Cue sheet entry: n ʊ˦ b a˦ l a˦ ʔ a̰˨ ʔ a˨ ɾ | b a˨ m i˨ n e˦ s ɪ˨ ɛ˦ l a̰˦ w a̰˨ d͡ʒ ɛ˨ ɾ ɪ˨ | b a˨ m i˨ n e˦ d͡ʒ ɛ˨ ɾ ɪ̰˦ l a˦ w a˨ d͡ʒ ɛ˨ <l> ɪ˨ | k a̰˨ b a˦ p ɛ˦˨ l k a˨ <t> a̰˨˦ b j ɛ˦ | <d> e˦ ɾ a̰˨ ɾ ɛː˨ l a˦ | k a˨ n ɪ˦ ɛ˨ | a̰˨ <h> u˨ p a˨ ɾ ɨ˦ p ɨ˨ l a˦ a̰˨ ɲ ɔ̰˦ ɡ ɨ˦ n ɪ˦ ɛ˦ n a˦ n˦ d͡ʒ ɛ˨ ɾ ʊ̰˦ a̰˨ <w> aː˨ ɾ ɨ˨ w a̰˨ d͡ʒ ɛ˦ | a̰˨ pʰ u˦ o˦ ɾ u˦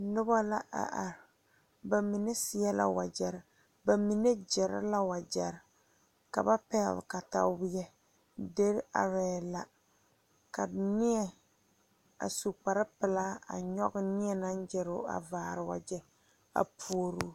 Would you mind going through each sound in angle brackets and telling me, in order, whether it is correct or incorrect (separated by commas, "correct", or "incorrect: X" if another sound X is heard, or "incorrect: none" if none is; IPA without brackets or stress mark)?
incorrect: ɾ, correct, correct, incorrect: s, incorrect: v